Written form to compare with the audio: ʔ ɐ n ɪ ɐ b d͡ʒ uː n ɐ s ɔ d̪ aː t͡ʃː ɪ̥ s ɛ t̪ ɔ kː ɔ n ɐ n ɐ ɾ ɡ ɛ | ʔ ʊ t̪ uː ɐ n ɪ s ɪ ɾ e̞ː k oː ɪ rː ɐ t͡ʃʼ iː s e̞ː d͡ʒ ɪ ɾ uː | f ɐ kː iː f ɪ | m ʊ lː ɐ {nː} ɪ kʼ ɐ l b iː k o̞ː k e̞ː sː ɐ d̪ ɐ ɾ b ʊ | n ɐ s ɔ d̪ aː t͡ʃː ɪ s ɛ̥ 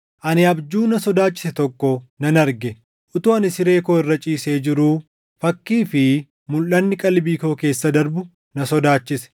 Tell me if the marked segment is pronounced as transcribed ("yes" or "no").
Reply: yes